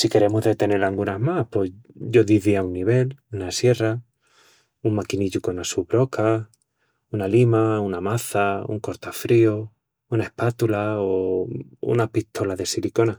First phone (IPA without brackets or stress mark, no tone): s